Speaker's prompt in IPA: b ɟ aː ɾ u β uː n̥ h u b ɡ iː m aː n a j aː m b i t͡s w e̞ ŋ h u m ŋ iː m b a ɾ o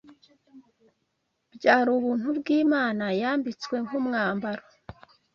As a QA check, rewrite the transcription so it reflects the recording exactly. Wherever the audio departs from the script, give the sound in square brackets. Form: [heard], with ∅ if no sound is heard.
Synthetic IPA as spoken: b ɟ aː ɾ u β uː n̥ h u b ɡ iː m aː n a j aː m b i t͡s w e̞ ŋ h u m ŋ [aː] m b a ɾ o